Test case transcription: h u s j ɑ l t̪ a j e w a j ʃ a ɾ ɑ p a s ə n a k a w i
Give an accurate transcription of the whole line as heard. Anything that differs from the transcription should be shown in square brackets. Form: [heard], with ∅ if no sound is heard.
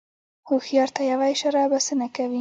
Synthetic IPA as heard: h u [x] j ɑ [ɾ] t̪ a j [a] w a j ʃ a ɾ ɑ [b] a s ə n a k a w i